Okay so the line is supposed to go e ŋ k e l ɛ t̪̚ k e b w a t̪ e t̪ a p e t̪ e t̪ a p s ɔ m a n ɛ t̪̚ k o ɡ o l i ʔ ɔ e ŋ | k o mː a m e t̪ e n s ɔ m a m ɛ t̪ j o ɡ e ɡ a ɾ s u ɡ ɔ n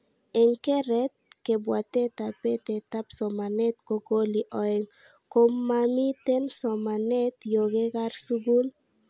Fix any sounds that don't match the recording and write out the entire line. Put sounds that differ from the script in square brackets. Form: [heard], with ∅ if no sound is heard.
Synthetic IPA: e ŋ k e [ɾ] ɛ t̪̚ k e b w a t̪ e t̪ a p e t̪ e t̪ a p s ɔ m a n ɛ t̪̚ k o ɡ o l i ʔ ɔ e ŋ | k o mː a m [i] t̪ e n s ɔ m a [n] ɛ t̪ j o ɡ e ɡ a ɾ s u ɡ [u] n